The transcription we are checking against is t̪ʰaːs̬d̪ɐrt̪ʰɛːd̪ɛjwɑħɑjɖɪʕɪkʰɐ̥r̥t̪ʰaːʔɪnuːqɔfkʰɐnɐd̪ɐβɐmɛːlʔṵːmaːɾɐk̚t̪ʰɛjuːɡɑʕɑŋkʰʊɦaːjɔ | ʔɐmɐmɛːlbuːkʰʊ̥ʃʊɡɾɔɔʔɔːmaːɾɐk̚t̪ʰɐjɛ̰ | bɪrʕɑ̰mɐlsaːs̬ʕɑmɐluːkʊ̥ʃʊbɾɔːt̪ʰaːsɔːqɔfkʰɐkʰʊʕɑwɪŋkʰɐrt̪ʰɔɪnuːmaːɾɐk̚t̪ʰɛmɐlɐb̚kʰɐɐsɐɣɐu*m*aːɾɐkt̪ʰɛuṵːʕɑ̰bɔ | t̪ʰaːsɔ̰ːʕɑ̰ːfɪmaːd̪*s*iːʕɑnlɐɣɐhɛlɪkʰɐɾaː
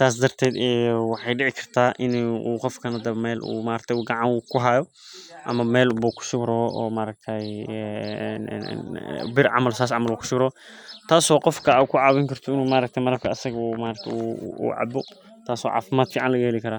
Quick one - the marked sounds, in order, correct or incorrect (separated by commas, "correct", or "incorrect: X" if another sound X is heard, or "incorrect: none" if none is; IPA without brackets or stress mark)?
correct, incorrect: f